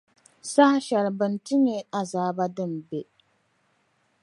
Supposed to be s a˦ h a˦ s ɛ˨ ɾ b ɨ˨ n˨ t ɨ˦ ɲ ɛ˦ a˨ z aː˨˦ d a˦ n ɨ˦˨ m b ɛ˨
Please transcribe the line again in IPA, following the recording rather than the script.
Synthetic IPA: s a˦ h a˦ ʃ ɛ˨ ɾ b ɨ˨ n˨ t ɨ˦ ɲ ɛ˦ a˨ z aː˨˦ b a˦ d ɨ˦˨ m b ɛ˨